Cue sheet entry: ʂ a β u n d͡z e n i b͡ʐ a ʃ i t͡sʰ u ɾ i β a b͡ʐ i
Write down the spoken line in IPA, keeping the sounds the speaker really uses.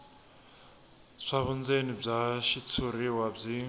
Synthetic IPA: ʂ a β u n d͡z e n i b͡ʐ a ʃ i t͡sʰ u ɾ i w a b͡ʐ i